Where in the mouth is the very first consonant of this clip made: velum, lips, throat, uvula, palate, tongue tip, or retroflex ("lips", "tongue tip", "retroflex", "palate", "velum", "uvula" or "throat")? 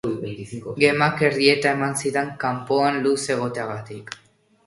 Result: velum